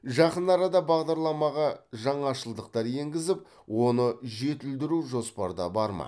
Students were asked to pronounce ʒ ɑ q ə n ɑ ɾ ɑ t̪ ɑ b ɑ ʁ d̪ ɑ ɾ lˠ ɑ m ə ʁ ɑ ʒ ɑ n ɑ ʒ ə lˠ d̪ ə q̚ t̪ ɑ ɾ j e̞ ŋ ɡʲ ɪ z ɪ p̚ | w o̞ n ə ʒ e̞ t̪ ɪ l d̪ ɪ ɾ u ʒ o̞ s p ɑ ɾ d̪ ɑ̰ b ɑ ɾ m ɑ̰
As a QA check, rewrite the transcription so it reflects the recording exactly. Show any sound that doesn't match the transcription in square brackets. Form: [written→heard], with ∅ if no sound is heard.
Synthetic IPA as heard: ʒ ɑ q ə n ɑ ɾ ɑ [t̪→d̪] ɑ b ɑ ʁ d̪ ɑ ɾ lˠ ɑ m [ə→ɑ] ʁ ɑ ʒ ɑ [n→ɴ] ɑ [ʒ→ʃ] ə lˠ d̪ ə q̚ t̪ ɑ ɾ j e̞ ŋ ɡʲ ɪ z ɪ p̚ | w o̞ n ə ʒ e̞ t̪ ɪ l d̪ ɪ ɾ u ʒ o̞ s p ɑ ɾ d̪ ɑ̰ b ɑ ɾ m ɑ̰